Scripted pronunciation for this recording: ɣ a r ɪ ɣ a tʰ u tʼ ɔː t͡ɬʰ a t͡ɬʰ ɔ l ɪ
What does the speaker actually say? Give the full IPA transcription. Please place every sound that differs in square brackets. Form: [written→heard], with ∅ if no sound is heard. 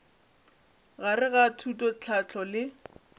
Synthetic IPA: ɣ a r ɪ ɣ a tʰ u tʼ [ɔː→ɔ] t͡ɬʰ a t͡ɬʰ ɔ l ɪ